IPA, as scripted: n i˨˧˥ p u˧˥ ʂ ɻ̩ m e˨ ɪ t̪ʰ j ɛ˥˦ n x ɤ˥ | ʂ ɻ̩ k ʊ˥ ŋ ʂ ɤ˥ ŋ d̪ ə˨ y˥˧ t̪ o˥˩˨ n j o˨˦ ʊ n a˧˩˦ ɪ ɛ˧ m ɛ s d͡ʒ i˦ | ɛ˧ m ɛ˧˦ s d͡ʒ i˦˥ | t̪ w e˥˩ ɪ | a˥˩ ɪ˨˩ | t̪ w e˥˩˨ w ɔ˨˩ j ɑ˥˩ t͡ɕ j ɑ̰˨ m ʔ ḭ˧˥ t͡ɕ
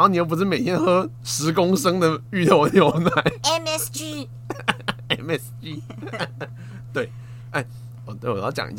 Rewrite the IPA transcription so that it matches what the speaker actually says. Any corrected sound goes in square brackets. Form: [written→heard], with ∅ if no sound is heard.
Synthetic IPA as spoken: n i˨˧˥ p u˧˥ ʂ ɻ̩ m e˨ ɪ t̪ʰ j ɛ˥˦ n x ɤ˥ | ʂ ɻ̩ k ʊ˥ ŋ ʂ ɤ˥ ŋ d̪ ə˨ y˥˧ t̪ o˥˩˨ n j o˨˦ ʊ n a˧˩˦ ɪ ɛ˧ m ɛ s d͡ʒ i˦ | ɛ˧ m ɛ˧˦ s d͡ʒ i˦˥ | t̪ w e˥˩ ɪ | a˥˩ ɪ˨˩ | t̪ w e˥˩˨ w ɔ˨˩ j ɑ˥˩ t͡ɕ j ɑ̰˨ [m→ŋ] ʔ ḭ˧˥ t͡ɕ